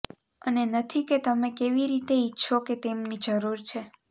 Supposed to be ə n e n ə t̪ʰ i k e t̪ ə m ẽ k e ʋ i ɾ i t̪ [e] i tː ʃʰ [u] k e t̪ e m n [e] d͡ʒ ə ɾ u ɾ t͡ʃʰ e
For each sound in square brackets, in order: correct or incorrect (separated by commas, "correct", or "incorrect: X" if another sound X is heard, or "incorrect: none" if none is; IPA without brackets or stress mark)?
correct, incorrect: o, incorrect: i